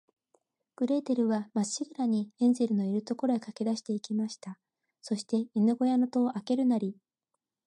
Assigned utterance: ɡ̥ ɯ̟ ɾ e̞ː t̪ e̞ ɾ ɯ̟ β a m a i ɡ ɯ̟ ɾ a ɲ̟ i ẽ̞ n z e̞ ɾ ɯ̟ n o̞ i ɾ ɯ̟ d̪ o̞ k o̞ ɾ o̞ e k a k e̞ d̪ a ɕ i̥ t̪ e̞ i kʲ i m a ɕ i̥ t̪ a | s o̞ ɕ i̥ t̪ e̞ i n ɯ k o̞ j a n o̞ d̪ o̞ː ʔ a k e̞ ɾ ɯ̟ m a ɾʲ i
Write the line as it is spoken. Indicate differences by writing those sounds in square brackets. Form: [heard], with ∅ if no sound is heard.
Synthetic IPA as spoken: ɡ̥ ɯ̟ ɾ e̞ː t̪ e̞ ɾ ɯ̟ β a m a i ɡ ɯ̟ ɾ a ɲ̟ i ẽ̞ n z e̞ ɾ ɯ̟ n o̞ i ɾ ɯ̟ [t̪] o̞ k o̞ ɾ o̞ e k a k e̞ d̪ a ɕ i̥ t̪ e̞ i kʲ i m a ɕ i̥ t̪ a | s o̞ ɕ i̥ t̪ e̞ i n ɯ [ɡ] o̞ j a n o̞ [t̪] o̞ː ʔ a k e̞ ɾ ɯ̟ [n] a ɾʲ i

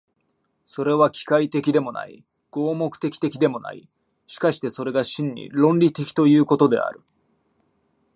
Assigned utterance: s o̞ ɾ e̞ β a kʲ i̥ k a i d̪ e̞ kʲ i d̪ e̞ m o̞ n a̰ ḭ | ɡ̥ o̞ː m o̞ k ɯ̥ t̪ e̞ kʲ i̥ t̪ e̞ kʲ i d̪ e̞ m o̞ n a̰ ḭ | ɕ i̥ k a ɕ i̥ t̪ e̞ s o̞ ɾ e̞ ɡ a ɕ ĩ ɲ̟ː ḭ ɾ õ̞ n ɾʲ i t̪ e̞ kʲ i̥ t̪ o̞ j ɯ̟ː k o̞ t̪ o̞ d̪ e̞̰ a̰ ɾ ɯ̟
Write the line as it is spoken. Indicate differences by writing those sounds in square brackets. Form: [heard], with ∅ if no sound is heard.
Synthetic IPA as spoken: s o̞ ɾ e̞ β a kʲ i̥ k a i [t̪] e̞ kʲ i d̪ e̞ m o̞ n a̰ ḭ | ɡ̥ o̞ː m o̞ k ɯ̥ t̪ e̞ kʲ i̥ t̪ e̞ kʲ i d̪ e̞ m o̞ n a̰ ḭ | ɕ i̥ k a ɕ i̥ t̪ e̞ s o̞ ɾ e̞ ɡ a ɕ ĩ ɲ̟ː ḭ ɾ õ̞ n ɾʲ i t̪ e̞ kʲ i̥ t̪ o̞ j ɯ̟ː k o̞ t̪ o̞ d̪ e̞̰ a̰ ɾ ɯ̟

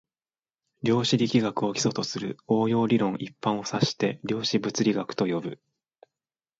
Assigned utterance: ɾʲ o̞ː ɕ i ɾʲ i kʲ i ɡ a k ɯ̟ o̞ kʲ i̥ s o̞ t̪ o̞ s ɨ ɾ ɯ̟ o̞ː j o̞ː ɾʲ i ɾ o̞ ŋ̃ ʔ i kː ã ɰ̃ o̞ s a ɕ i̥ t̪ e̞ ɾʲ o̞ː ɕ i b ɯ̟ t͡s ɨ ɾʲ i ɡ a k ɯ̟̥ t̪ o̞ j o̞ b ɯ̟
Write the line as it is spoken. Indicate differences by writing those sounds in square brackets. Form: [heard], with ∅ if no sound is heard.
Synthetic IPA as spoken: ɾʲ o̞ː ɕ i ɾʲ i kʲ i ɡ a k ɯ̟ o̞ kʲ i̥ s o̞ t̪ o̞ s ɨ ɾ ɯ̟ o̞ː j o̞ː ɾʲ i ɾ [õ̞] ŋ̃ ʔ i [pː] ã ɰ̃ o̞ s a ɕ i̥ t̪ e̞ ɾʲ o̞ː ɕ i b ɯ̟ t͡s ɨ ɾʲ i ɡ a k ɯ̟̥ t̪ o̞ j o̞ b ɯ̟

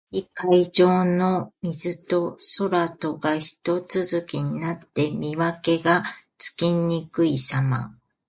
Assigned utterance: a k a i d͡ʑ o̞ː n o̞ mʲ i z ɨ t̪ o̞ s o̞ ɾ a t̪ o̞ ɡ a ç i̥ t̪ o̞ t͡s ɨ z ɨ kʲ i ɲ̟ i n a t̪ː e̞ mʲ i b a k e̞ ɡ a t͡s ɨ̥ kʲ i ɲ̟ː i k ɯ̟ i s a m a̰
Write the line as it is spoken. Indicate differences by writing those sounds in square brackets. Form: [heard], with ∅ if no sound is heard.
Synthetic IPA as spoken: [i] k a i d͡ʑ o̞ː n o̞ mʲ i z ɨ t̪ o̞ s o̞ ɾ a t̪ o̞ ɡ a ç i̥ t̪ o̞ t͡s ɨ z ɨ kʲ i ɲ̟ i n a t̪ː e̞ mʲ i [β] a k e̞ ɡ a t͡s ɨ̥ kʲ i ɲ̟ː i k ɯ̟ i s a m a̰

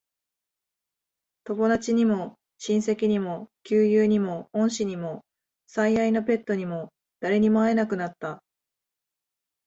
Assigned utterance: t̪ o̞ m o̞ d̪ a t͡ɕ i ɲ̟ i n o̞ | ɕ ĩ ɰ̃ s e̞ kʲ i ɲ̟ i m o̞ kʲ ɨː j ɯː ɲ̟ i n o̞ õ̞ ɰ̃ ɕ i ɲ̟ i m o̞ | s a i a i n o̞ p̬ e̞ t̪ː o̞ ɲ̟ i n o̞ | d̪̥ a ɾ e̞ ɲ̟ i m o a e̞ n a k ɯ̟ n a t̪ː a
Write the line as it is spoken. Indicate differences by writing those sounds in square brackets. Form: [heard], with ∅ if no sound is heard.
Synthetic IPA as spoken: t̪ o̞ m o̞ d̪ a t͡ɕ i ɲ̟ i [m] o̞ | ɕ ĩ ɰ̃ s e̞ kʲ i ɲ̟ i m o̞ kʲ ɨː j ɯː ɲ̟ i [m] o̞ õ̞ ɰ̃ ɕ i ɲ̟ i m o̞ | s a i a i n o̞ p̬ e̞ t̪ː o̞ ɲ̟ i [m] o̞ | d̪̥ a ɾ e̞ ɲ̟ i m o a e̞ n a k ɯ̟ n a t̪ː a

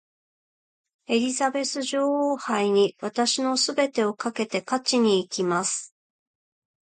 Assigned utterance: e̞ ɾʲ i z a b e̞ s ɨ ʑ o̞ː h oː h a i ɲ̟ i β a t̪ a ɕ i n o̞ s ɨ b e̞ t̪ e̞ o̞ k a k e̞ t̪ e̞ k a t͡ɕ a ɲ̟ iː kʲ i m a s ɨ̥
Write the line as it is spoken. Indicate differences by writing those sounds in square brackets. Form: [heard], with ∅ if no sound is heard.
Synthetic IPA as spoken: e̞ ɾʲ i z a b e̞ s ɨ ʑ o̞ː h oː h a i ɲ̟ i β a t̪ a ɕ i n o̞ s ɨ b e̞ t̪ e̞ o̞ k a k e̞ t̪ e̞ k a t͡ɕ [i] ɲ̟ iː kʲ i m a s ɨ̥

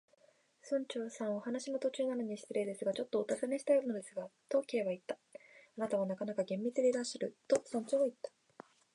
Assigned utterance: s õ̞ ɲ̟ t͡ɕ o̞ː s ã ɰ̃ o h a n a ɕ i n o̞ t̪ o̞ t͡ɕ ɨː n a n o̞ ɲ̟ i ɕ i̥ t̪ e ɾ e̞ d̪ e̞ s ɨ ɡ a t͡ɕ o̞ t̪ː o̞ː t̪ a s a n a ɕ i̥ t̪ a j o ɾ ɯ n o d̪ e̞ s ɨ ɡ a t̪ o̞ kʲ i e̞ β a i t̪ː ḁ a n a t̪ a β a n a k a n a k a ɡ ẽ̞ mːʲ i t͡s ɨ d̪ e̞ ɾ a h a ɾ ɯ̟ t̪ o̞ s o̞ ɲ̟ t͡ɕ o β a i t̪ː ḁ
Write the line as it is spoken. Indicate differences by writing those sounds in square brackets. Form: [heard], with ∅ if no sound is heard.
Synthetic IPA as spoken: s õ̞ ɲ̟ t͡ɕ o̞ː s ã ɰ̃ o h a n a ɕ i n o̞ t̪ o̞ t͡ɕ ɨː n a n o̞ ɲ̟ i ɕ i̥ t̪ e ɾ e̞ d̪ e̞ s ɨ ɡ a t͡ɕ o̞ t̪ː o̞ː t̪ a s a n [e] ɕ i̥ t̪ a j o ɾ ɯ n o d̪ e̞ s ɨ ɡ a t̪ o̞ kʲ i e̞ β a i t̪ː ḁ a n a t̪ a β a n a k a n a k a ɡ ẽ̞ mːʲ i t͡s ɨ d̪ e̞ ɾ a [ɕ] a ɾ ɯ̟ t̪ o̞ s [õ̞] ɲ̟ t͡ɕ o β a i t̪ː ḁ

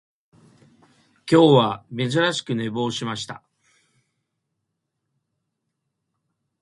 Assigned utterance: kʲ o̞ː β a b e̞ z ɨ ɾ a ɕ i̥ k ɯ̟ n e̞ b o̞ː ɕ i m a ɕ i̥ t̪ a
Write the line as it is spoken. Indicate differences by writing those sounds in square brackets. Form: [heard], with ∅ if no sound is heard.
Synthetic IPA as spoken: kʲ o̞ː β a [m] e̞ z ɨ ɾ a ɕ i̥ k ɯ̟ n e̞ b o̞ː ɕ i m a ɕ i̥ t̪ a

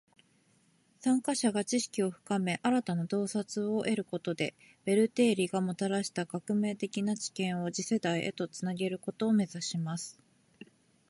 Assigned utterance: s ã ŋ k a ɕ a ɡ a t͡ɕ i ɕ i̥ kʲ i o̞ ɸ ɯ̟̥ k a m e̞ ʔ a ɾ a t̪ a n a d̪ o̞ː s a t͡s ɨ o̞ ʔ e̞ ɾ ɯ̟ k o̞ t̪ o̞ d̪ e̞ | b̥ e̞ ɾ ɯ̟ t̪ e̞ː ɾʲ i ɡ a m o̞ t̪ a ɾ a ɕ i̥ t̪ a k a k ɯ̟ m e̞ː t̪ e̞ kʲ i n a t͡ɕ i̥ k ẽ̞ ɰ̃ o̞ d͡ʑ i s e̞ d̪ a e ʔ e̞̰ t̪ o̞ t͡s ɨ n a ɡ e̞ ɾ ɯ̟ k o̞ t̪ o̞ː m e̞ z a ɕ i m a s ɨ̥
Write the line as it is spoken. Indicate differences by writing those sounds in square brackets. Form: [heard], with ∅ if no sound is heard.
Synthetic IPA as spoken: s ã ŋ k a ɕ a ɡ a t͡ɕ i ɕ i̥ kʲ i o̞ ɸ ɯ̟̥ k a m e̞ ʔ a ɾ a t̪ a n a d̪ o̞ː s a t͡s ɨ o̞ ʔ e̞ ɾ ɯ̟ k o̞ t̪ o̞ d̪ e̞ | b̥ e̞ ɾ ɯ̟ t̪ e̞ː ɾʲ i ɡ a m o̞ t̪ a ɾ a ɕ i̥ t̪ a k a k ɯ̟ m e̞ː t̪ e̞ kʲ i n a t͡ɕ i̥ k ẽ̞ ɰ̃ o̞ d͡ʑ i s e̞ d̪ a [i] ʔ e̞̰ t̪ o̞ t͡s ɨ n a ɡ e̞ ɾ ɯ̟ k o̞ t̪ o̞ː m e̞ z a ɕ i m a s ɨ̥

